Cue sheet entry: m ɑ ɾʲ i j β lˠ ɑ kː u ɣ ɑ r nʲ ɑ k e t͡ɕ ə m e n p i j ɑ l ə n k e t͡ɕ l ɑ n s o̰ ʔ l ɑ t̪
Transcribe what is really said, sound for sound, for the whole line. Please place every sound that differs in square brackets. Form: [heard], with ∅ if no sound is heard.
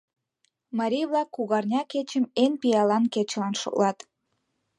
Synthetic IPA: m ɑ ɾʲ i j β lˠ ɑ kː u ɣ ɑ r nʲ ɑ k e t͡ɕ ə m e n p i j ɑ l [ɑ] n k e t͡ɕ l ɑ n [ʃ] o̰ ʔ l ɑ t̪